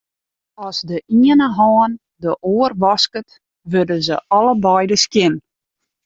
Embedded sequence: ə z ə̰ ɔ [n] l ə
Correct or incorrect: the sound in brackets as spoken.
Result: incorrect: none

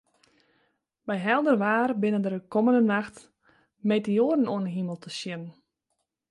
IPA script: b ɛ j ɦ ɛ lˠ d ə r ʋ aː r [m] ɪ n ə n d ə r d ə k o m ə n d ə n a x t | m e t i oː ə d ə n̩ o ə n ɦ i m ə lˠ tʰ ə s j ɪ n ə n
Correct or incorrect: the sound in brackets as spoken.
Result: incorrect: b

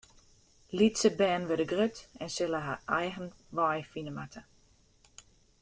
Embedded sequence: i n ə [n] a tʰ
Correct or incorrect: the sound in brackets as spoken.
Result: incorrect: m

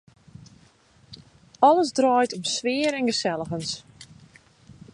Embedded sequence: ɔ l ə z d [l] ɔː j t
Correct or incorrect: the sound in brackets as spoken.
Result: incorrect: r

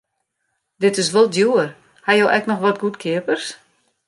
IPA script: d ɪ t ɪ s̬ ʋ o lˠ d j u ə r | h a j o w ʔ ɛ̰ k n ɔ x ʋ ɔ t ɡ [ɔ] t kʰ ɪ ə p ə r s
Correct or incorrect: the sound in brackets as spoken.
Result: incorrect: u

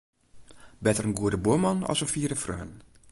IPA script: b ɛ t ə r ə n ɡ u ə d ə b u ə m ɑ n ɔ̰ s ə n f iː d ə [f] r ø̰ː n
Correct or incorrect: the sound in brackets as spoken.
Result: correct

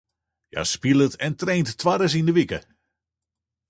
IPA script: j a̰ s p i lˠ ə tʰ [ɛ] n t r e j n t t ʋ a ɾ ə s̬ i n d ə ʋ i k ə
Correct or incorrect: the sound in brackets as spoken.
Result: correct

